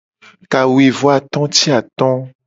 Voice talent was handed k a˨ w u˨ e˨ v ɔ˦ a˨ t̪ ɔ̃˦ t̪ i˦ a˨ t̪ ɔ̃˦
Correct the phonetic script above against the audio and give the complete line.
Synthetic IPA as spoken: k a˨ w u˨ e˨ v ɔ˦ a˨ t̪ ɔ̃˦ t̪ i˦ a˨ t̪ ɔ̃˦